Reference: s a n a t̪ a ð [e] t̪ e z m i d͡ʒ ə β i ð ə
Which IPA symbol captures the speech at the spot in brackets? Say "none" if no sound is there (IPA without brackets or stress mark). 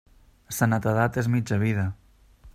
a